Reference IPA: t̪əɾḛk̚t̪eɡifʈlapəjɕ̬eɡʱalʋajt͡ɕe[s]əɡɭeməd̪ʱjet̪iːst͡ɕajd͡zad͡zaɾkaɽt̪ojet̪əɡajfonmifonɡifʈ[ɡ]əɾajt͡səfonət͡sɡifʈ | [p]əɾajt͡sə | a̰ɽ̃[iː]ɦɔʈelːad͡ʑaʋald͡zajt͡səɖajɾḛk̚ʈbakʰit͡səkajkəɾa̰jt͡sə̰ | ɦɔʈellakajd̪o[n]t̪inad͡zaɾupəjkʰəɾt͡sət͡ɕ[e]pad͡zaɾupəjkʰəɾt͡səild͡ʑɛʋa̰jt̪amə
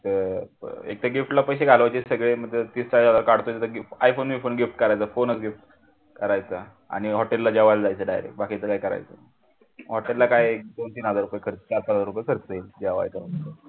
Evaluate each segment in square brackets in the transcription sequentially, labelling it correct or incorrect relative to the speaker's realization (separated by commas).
correct, incorrect, incorrect, incorrect, correct, incorrect